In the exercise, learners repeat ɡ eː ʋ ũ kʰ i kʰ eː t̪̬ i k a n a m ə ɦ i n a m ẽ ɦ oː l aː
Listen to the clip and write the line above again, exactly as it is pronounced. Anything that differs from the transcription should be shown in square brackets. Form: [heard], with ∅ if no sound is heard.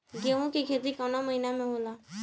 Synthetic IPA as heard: ɡ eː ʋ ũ [k] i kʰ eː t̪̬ i k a n a m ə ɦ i n a m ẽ ɦ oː l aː